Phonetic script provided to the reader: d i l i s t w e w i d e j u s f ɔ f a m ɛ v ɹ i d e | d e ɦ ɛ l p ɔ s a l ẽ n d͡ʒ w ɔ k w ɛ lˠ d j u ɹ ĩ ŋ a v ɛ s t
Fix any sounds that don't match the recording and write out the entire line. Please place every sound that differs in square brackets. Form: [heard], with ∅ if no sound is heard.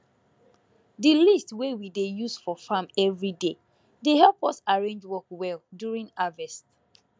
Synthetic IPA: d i l i s t w e w i d e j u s f ɔ f a m ɛ v ɹ i d e | d e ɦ ɛ l p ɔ s a [ɹ] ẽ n d͡ʒ w ɔ k w ɛ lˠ d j u ɹ ĩ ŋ a v ɛ s t